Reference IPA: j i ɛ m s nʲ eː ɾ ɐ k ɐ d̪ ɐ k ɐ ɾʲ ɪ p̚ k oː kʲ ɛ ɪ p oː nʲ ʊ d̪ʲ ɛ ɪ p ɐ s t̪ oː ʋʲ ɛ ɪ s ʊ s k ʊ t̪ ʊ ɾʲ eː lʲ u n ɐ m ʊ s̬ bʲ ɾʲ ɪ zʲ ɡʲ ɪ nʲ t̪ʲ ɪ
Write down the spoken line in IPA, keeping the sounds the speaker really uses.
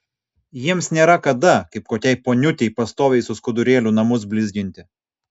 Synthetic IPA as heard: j i ɛ m s nʲ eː ɾ ɐ k ɐ d̪ ɐ k ɐ ɪ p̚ k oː kʲ ɛ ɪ p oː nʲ ʊ t̪ʲ ɛ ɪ p ɐ s t̪ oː ʋʲ ɛ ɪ s ʊ s k ʊ d̪ ʊ ɾʲ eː lʲ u n ɐ m ʊ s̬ bʲ lʲ ɪ zʲ ɡʲ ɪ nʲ t̪ʲ ɪ